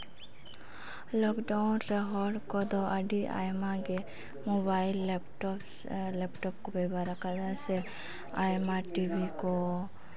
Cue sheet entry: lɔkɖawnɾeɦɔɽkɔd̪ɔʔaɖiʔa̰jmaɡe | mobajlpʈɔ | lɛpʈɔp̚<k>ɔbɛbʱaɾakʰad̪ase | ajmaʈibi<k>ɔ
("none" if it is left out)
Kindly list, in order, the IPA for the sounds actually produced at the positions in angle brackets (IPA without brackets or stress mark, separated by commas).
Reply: k, k